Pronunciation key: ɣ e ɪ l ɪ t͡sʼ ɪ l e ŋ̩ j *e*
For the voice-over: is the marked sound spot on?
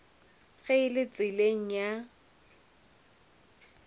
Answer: no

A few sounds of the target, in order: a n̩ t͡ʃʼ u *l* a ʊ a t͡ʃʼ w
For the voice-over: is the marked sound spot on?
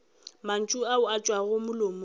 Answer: no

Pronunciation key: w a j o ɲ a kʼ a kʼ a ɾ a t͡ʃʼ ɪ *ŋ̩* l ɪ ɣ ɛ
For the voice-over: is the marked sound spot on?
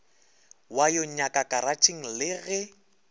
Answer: yes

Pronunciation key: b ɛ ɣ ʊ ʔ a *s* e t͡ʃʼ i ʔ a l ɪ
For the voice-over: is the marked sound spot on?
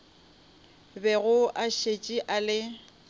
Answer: no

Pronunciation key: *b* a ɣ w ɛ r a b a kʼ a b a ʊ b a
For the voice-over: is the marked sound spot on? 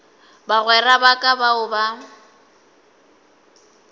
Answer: yes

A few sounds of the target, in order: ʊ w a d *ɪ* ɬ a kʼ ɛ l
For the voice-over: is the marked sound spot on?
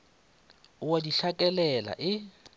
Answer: no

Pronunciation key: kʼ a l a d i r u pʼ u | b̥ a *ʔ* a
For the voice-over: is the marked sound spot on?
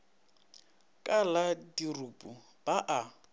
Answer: yes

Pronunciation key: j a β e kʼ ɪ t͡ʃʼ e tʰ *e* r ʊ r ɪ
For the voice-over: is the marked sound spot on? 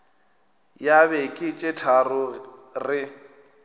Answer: no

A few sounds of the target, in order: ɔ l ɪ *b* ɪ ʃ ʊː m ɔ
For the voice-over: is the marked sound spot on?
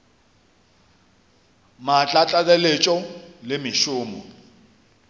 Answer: no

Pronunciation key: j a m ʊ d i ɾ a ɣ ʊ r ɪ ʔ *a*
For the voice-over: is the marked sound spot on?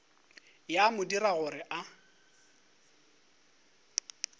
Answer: yes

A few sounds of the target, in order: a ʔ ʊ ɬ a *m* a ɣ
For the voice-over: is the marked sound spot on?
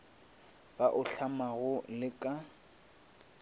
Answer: yes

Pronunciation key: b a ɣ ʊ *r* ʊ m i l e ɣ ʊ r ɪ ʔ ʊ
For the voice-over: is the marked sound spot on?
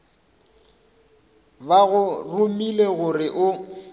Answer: yes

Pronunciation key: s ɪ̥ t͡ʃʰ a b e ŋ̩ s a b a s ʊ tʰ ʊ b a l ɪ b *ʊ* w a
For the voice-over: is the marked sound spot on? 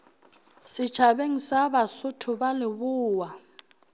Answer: no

